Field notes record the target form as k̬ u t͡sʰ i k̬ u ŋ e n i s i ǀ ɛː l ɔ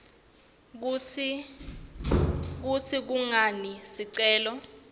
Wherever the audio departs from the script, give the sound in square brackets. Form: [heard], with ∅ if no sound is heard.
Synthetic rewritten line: k̬ u t͡sʰ i k̬ u ŋ [a] n i s i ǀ ɛː l ɔ